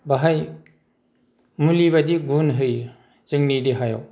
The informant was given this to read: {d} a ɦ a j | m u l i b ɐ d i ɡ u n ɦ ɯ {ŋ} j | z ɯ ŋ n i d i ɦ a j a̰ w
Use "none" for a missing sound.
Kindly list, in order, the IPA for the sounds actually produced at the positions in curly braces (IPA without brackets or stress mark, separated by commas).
b, none